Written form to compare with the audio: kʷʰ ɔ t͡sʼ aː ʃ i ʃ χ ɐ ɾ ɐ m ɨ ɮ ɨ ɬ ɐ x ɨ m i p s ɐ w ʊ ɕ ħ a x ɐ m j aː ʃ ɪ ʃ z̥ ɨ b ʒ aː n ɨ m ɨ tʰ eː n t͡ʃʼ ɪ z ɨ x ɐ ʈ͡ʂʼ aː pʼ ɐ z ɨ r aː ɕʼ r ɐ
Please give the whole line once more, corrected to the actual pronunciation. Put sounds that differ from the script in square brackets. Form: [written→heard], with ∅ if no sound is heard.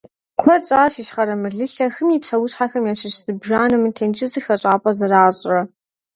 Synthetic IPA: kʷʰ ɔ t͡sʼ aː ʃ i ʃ χ ɐ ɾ ɐ m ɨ ɮ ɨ ɬ ɐ x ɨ m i p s ɐ w ʊ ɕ ħ a x ɐ m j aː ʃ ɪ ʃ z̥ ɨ b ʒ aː n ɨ m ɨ tʰ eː n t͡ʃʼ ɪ z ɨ x ɐ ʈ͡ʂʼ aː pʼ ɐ z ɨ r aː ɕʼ r ɐ